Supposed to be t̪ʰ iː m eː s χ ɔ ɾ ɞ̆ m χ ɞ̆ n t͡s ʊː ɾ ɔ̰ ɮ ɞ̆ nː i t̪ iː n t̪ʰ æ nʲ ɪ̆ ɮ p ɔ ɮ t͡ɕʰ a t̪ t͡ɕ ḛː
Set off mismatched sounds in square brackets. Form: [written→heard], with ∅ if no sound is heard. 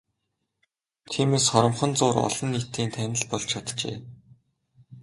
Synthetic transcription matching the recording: t̪ʰ iː m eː s χ ɔ ɾ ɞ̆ m χ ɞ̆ n t͡s ʊː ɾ ɔ̰ ɮ ɞ̆ nː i t̪ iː n t̪ʰ æ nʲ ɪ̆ ɮ p ɔ ɮ t͡ɕʰ a t̪ t͡ɕ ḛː